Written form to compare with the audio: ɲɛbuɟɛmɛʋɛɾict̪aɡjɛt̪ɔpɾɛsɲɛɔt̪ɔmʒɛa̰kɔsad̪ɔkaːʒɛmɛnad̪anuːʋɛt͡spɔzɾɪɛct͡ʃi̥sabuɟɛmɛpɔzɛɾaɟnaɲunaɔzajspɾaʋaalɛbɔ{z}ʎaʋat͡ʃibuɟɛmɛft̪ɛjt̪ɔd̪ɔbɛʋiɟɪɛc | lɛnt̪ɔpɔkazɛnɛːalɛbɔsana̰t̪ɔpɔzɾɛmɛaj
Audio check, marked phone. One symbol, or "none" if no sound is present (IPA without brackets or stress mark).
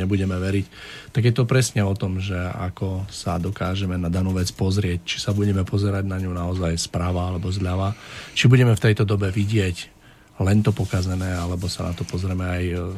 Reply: z